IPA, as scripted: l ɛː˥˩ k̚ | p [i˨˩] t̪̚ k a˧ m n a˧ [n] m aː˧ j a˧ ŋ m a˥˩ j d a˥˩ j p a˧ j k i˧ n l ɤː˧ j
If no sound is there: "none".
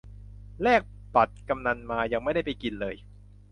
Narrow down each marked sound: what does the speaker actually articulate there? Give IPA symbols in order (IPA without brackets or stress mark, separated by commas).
a˨˩, n